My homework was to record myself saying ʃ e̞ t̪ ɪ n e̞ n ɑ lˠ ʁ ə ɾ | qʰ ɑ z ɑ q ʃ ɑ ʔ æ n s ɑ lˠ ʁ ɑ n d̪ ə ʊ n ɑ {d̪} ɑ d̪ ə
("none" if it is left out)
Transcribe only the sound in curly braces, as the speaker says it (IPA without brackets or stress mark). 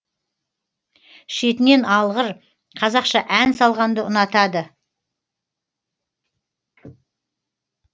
t̪